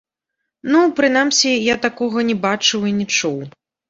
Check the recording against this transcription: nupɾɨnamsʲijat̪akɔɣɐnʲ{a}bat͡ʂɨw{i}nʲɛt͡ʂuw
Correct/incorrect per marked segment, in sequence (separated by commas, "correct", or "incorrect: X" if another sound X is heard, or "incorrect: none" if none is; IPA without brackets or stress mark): incorrect: ɛ, correct